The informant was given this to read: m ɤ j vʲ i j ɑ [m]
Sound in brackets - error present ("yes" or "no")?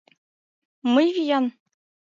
yes